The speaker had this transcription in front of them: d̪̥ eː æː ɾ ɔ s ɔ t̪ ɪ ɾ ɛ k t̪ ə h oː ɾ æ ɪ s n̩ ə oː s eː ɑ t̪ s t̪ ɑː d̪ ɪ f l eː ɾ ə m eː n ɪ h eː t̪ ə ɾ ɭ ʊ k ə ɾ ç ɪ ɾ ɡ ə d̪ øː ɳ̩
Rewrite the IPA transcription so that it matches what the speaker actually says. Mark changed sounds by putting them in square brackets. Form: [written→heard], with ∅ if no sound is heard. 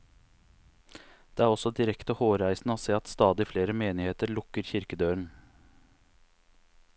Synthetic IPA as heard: d̪̥ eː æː ɾ ɔ s ɔ [t̪→d̪] ɪ ɾ ɛ k t̪ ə h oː ɾ æ ɪ s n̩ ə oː s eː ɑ t̪ s t̪ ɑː d̪ ɪ f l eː ɾ ə m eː n ɪ h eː t̪ ə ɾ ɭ ʊ k ə ɾ ç ɪ ɾ [ɡ→k] ə d̪ øː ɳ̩